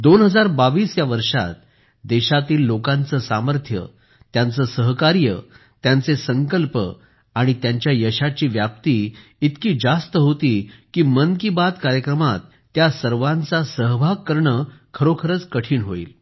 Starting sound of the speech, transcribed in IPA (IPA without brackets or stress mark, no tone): d̪